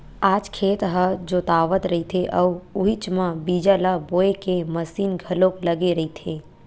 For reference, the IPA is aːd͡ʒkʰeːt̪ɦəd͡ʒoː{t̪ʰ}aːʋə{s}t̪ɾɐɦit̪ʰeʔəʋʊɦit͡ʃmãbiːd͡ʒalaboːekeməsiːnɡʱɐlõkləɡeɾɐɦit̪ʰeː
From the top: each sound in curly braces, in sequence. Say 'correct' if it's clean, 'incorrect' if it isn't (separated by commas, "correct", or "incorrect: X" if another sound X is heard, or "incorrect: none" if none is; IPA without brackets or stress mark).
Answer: incorrect: t̪, incorrect: none